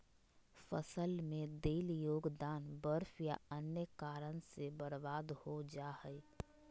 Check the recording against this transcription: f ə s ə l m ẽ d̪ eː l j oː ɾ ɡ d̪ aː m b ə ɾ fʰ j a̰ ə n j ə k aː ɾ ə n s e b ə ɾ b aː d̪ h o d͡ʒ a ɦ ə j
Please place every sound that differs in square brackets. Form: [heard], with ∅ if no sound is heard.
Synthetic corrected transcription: f ə s ə l m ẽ d̪ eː l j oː [∅] ɡ d̪ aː [n] b ə ɾ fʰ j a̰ ə n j ə k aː ɾ ə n s e b ə ɾ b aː d̪ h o d͡ʒ a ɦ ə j